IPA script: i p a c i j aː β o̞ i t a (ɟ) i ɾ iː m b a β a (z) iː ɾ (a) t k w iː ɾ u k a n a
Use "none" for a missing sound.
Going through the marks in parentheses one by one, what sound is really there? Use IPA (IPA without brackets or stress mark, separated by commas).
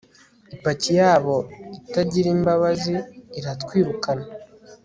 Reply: ɟ, z, a